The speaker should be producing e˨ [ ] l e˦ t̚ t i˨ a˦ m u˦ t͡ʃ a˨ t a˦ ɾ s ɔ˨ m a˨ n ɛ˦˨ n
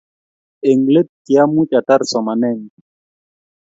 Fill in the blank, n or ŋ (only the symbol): ŋ